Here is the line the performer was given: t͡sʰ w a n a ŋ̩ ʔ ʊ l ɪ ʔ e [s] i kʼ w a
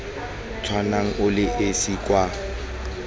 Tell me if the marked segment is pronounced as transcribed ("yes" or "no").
yes